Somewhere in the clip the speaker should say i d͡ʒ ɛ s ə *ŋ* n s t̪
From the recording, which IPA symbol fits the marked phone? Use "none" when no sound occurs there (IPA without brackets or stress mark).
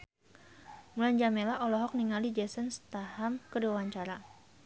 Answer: none